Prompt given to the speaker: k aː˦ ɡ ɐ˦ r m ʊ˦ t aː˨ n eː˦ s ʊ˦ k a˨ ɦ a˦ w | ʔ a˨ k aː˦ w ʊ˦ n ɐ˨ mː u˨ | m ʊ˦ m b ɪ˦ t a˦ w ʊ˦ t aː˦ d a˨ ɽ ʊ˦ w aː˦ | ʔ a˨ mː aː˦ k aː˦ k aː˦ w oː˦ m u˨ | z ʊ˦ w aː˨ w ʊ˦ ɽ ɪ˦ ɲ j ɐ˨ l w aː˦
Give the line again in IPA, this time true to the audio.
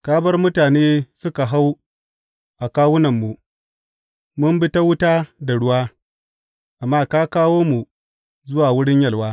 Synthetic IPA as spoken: k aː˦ b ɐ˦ r m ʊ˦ t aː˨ n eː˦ s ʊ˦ k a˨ ɦ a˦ w | ʔ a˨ k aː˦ w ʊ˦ n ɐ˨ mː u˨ | m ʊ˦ m b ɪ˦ t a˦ w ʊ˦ t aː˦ d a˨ ɽ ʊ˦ w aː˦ | ʔ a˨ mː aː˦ k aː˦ k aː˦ w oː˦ m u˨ | z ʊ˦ w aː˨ w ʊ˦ ɽ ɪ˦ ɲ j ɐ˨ l w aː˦